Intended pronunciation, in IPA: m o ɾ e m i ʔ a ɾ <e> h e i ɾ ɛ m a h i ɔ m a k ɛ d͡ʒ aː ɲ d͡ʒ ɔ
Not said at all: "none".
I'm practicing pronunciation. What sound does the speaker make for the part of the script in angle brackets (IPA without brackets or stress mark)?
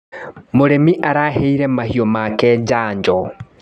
a